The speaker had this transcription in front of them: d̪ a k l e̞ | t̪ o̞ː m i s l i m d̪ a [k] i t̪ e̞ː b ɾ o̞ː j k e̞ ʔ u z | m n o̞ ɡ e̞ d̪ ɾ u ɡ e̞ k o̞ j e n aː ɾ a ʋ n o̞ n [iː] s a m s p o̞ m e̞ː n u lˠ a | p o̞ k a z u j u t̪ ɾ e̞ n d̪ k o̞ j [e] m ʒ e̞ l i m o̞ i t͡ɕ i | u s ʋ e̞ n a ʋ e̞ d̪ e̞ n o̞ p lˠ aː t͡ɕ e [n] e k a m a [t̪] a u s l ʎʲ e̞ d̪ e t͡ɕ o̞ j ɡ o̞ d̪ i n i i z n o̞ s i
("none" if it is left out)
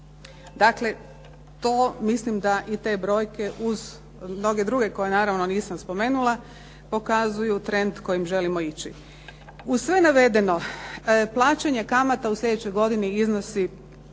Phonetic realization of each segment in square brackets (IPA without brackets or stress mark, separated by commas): ʔ, iː, i, ɲ, t̪